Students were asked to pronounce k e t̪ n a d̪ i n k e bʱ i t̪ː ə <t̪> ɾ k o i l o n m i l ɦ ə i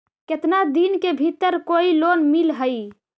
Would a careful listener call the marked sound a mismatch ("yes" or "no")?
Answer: yes